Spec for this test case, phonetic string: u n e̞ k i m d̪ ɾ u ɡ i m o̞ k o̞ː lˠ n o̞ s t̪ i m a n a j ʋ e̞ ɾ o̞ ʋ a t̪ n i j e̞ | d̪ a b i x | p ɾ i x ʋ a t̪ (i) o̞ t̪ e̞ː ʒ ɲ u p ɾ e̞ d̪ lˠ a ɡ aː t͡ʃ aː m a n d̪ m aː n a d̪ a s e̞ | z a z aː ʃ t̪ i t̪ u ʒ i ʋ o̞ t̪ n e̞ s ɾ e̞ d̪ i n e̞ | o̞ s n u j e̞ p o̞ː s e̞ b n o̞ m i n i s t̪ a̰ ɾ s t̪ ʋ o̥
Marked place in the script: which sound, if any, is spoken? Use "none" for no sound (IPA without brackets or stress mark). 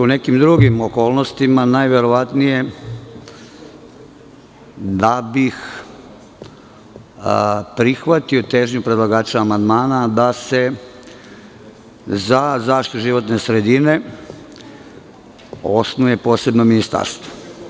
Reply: i